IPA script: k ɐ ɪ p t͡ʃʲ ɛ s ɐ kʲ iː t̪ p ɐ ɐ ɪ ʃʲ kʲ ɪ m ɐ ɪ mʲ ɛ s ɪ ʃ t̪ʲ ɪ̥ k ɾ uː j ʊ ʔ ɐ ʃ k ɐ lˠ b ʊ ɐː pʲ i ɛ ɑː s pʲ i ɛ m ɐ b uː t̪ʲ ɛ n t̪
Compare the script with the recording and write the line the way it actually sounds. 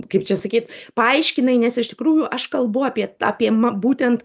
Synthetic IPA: k ɐ ɪ p t͡ʃʲ ɛ s ɐ kʲ iː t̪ p ɐ ɐ ɪ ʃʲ kʲ ɪ n ɐ ɪ nʲ ɛ s ɪ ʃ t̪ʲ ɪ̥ k ɾ uː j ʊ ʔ ɐ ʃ k ɐ lˠ b ʊ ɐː pʲ i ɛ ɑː pʲ i ɛ m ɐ b uː t̪ʲ ɛ n t̪

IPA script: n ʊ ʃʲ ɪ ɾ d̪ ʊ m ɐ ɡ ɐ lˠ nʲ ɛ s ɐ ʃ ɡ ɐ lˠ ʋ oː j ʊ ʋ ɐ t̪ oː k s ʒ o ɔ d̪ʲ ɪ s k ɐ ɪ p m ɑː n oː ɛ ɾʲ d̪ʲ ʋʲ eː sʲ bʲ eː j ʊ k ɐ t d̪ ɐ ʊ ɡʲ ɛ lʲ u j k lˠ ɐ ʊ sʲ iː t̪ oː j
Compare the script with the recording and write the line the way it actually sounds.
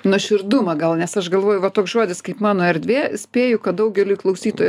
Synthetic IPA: n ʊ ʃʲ ɪ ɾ d̪ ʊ m ɐ ɡ ɐ lˠ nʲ ɛ s ɐ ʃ ɡ ɐ lˠ ʋ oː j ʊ ʋ ɐ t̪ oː k s ʒ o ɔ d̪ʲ ɪ s k ɐ ɪ p m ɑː n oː ɛ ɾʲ d̪ʲ ʋʲ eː sʲ pʲ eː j ʊ k ɐ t d̪ ɐ ʊ ɡʲ ɛ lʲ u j k lˠ ɐ ʊ sʲ iː t̪ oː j

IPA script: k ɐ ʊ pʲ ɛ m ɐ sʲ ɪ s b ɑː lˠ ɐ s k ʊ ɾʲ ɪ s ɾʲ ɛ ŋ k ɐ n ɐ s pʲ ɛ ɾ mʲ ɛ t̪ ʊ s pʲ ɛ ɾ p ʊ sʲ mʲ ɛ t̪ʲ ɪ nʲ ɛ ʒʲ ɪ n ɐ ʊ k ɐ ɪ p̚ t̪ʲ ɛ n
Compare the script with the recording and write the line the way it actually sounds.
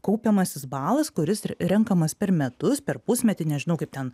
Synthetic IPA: k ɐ ʊ pʲ ɛ m ɐ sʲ ɪ s b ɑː lˠ ɐ s k ʊ ɾʲ ɪ s ɾʲ ɛ ŋ k ɐ m ɐ s pʲ ɛ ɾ mʲ ɛ t̪ ʊ s pʲ ɛ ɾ p ʊ sʲ mʲ ɛ t̪ʲ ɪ nʲ ɛ ʒʲ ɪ n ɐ ʊ k ɐ ɪ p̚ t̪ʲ ɛ n

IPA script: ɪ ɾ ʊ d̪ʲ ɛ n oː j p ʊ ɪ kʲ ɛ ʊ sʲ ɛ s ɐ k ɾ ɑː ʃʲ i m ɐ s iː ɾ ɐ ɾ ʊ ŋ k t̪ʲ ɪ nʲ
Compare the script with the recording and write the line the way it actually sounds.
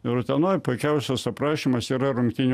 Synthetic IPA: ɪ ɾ ʊ t̪ʲ ɛ n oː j p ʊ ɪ kʲ ɛ ʊ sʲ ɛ s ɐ p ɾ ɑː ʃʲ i m ɐ s iː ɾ ɐ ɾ ʊ ŋ k t̪ʲ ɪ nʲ

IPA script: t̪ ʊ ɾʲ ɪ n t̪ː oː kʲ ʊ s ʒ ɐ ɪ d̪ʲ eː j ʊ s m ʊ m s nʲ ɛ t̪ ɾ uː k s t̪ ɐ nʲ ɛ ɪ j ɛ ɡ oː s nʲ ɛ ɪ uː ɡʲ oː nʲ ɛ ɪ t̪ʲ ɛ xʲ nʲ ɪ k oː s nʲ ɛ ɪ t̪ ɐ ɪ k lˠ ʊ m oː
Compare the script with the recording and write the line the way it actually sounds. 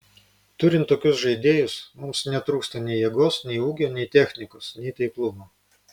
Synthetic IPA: t̪ ʊ ɾʲ ɪ n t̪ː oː kʲ ʊ s ʒ ɐ ɪ d̪ʲ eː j ʊ s m ʊ m s nʲ ɛ t̪ ɾ uː k s t̪ ɐ nʲ ɛ ɪ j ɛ ɡ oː s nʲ ɛ ɪ uː ɡʲ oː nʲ ɛ ɪ t̪ʲ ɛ xʲ nʲ ɪ k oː s nʲ ɛ ɪ t̪ ɐ ɪ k lˠ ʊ m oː

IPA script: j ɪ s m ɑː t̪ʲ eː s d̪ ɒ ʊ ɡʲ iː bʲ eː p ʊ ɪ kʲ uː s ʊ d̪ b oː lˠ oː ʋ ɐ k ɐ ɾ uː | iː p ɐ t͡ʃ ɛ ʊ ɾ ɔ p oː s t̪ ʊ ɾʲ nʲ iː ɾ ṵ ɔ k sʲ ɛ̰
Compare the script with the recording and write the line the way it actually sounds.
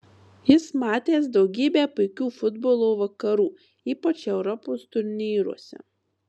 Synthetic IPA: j ɪ s m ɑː t̪ʲ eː s d̪ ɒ ʊ ɡʲ iː bʲ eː p ʊ ɪ kʲ uː f ʊ d̪ b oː lˠ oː ʋ ɐ k ɐ ɾ uː | iː p ɐ t͡ʃ ɛ ʊ ɾ ɔ p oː s t̪ ʊ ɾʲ nʲ iː ɾ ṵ ɔ sʲ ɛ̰

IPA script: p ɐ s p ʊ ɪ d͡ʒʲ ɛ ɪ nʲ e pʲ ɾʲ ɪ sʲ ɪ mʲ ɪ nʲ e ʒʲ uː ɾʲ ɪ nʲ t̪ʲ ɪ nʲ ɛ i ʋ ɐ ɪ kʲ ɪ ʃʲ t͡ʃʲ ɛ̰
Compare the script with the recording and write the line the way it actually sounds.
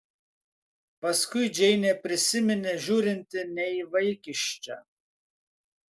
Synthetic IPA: p ɐ s k ʊ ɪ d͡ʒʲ ɛ ɪ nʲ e pʲ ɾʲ ɪ sʲ ɪ mʲ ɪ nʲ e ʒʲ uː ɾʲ ɪ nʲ t̪ʲ ɪ nʲ ɛ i ʋ ɐ ɪ kʲ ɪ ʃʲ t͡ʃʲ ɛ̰

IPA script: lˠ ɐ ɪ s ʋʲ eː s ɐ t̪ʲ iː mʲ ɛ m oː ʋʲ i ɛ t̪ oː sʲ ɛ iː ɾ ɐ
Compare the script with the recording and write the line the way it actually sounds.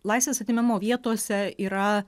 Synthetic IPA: lˠ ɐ ɪ s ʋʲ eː s ɐ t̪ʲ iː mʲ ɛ m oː ʋʲ i ɛ t̪ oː sʲ ɛ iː ɾ ɐ

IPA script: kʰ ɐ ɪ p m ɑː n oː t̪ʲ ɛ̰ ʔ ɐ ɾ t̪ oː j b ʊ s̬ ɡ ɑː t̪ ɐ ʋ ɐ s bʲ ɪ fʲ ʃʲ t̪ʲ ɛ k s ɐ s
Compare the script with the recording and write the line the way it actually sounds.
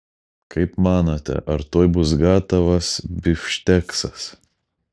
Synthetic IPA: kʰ ɐ ɪ p m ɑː n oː t̪ʲ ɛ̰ ʔ ɐ ɾ t̪ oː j b ʊ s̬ ɡ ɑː t̪ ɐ ʋ ɐ s bʲ ɪ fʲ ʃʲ t̪ʲ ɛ k s ɐ s

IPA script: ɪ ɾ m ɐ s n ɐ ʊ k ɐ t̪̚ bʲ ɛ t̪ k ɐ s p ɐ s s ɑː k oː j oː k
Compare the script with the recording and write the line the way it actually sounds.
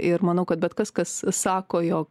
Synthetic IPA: ɪ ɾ m ɐ n ɐ ʊ k ɐ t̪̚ bʲ ɛ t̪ k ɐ s k ɐ s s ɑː k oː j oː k

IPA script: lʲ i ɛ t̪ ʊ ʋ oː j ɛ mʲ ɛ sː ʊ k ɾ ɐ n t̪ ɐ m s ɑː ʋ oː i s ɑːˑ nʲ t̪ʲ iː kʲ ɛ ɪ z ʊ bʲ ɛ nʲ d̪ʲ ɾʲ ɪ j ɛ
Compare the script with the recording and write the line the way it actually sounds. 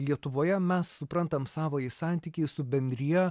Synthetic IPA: lʲ i ɛ t̪ ʊ ʋ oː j ɛ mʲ ɛ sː ʊ p ɾ ɐ n t̪ ɐ m s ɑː ʋ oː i s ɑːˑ nʲ t̪ʲ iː kʲ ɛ ɪ s ʊ bʲ ɛ nʲ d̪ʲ ɾʲ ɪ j ɛ

